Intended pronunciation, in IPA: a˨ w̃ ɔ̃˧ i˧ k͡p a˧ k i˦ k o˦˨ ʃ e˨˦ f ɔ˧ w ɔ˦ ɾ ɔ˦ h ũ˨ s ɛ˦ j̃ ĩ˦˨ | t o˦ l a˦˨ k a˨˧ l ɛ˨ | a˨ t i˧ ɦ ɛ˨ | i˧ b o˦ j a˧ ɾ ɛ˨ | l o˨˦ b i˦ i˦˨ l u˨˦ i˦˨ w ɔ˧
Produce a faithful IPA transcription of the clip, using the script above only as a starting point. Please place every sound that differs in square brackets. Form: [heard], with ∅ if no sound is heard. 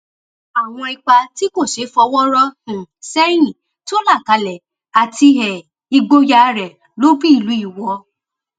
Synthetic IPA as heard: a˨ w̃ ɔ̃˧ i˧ k͡p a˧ [t] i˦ k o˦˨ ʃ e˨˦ f ɔ˧ w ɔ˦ ɾ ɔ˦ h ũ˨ s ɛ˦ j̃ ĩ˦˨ | t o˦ l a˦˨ k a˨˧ l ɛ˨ | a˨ t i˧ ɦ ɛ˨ | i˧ [ɡ͡b] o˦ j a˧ ɾ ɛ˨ | l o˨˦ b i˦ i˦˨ l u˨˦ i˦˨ w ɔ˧